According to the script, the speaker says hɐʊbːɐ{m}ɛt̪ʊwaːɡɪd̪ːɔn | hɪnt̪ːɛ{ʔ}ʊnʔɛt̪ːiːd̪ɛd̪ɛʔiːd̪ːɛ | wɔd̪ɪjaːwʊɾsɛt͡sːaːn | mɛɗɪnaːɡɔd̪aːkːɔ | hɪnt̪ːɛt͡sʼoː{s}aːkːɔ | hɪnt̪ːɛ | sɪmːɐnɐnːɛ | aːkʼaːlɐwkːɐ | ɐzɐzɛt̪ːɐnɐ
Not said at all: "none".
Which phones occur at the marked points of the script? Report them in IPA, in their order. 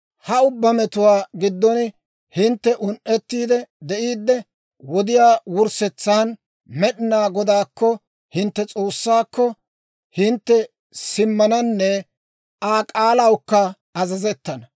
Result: m, ʔ, sː

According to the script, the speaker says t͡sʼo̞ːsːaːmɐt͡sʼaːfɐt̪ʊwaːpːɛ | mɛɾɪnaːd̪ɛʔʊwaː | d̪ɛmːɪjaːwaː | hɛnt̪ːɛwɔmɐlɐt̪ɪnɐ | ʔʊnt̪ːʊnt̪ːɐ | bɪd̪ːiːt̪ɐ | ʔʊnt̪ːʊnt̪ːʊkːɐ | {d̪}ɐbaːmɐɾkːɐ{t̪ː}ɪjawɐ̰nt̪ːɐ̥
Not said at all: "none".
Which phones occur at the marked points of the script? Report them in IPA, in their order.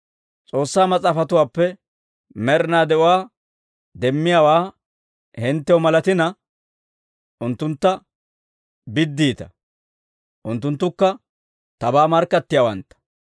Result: t̪, t̪ː

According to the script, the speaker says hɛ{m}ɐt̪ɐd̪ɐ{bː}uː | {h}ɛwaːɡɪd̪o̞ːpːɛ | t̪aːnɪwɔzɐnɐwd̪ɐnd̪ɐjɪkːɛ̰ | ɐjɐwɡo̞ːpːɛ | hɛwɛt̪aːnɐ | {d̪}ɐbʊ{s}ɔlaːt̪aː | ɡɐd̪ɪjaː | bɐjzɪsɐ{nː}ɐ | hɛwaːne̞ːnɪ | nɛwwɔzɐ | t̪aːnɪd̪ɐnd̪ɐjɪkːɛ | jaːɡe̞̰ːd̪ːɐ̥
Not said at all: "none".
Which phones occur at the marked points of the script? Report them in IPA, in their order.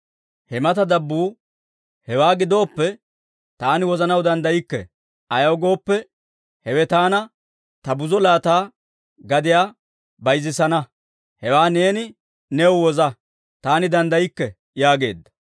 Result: m, bː, h, t̪, z, n

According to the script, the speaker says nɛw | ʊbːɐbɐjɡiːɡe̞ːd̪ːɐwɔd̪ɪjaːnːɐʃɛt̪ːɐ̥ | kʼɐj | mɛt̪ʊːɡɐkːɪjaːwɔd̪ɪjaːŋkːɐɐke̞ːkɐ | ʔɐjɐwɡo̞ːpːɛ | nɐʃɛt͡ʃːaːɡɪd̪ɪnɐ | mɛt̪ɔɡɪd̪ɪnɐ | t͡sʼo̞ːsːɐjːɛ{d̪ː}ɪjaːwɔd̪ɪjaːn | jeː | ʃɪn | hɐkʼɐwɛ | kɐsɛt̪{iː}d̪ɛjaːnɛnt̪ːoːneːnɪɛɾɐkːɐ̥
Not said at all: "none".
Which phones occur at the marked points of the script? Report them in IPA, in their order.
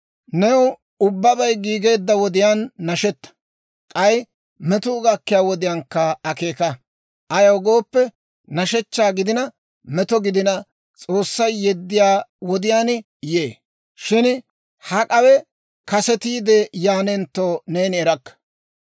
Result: d̪ː, iː

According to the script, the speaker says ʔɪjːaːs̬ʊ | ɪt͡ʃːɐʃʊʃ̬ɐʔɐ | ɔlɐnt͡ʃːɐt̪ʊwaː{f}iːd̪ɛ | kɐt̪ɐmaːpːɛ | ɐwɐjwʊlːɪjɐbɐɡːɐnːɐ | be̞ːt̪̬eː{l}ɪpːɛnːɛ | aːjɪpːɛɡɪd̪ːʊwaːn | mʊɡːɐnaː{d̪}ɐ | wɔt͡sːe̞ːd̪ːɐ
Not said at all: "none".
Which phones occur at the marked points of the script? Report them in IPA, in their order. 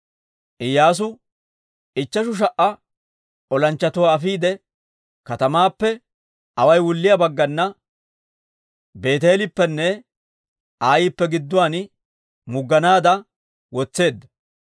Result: f, l, d̪

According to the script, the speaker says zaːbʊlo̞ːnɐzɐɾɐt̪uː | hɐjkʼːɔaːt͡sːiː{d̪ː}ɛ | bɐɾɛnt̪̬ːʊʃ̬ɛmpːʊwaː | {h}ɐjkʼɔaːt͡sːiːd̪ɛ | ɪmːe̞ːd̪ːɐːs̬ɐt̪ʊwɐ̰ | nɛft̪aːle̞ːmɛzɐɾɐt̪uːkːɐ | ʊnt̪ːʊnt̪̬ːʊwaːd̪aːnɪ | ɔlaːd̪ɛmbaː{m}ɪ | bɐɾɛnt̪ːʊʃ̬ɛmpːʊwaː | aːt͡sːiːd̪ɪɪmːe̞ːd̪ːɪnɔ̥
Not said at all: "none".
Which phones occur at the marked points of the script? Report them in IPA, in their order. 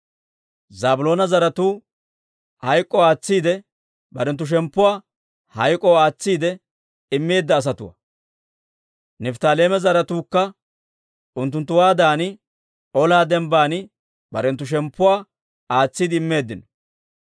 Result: d̪, h, n

